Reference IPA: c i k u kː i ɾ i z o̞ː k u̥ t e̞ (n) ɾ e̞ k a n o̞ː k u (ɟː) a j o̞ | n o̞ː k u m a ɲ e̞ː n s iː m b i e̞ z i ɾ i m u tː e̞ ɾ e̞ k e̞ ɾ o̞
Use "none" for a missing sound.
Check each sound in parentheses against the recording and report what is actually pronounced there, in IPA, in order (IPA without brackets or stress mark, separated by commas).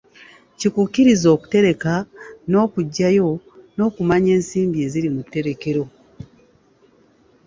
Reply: none, ɟː